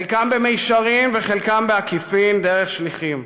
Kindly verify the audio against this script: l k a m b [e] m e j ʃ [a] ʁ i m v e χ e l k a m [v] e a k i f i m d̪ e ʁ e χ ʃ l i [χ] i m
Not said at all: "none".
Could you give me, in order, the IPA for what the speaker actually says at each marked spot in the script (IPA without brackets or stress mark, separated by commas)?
e, a, b, χ